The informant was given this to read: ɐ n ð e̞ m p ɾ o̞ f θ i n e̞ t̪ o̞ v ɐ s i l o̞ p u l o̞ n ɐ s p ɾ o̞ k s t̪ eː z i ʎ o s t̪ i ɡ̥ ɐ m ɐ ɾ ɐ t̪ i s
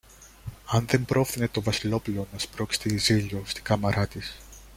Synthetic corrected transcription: ɐ n ð e̞ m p ɾ o̞ f θ i n e̞ t̪ o̞ v ɐ s i l o̞ p u l o̞ n ɐ s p ɾ o̞ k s t̪ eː z i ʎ o s t̪ i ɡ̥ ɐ m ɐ ɾ ɐ t̪ i s

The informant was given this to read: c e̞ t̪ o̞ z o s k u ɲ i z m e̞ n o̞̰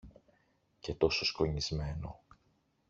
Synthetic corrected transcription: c e̞ t̪ o̞ s o s k o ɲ i z m e̞ n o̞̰

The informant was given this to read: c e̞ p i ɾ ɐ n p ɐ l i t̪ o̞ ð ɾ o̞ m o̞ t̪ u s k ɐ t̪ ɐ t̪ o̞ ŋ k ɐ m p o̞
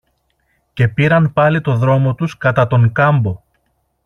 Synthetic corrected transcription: c e̞ p i ɾ ɐ n p ɐ l i t̪ o̞ ð ɾ o̞ m o̞ t̪ u s k ɐ t̪ ɐ t̪ o̞ ŋ k ɐ m b o̞

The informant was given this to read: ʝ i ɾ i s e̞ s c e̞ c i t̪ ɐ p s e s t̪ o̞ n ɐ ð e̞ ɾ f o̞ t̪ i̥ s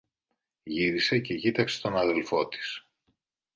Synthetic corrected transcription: ʝ i ɾ i s e̞ c e̞ c i t̪ ɐ k s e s t̪ o̞ n ɐ ð e̞ l f o̞ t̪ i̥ s

